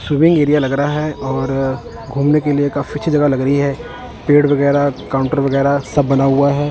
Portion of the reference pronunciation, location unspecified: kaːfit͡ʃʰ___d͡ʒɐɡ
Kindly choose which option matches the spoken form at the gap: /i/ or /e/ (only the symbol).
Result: i